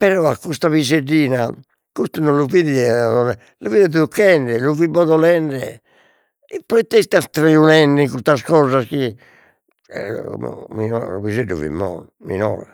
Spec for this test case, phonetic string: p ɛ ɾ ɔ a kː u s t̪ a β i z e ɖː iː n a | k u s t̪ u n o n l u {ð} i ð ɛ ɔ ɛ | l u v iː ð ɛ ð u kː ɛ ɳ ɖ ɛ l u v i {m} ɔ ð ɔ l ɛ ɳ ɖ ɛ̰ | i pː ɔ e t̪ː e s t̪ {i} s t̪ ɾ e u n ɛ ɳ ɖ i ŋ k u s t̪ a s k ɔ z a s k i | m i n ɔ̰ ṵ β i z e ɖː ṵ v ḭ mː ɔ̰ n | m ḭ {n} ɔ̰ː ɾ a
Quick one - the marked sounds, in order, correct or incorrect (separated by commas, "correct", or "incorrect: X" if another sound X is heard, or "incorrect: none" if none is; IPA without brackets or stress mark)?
incorrect: v, incorrect: b, incorrect: a, correct